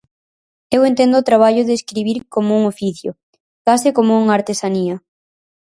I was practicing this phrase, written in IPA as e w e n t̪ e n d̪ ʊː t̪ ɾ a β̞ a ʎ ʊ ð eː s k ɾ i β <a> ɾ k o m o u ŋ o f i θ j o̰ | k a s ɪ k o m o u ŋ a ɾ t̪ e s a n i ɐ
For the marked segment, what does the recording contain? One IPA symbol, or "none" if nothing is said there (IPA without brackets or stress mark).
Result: i